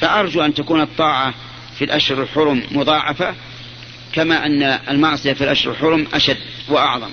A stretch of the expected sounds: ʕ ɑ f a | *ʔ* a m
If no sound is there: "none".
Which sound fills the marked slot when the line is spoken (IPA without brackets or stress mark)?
k